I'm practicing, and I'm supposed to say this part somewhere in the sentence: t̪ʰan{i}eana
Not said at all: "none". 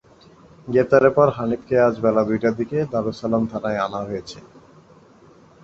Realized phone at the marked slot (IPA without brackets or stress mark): a